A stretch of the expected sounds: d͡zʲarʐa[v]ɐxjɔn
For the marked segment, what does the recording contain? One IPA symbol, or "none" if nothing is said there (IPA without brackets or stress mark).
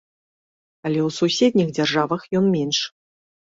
v